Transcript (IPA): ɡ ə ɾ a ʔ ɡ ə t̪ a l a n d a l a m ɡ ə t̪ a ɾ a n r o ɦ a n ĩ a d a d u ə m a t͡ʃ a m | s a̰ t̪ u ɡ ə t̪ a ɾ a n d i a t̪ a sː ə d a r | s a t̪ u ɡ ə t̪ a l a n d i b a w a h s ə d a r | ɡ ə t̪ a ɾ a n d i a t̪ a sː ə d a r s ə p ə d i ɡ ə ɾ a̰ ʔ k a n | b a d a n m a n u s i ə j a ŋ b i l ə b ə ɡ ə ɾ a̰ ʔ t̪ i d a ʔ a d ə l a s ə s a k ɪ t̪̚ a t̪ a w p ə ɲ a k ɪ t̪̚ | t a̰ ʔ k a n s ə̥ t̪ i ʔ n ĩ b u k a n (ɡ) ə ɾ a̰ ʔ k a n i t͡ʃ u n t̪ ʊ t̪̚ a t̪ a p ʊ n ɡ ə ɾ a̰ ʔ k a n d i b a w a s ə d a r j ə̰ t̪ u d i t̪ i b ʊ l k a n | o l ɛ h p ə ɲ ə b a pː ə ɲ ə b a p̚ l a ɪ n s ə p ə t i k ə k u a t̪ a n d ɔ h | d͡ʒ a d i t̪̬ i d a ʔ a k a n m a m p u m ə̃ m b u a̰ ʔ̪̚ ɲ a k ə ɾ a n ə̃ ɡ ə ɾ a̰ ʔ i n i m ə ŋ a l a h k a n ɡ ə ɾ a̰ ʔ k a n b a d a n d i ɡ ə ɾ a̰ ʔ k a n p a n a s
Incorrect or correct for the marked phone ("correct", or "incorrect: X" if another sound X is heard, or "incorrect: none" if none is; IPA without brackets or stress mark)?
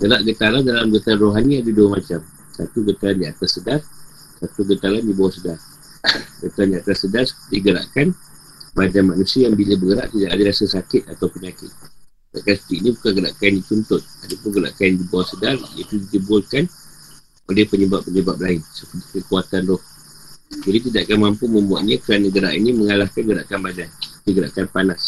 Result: correct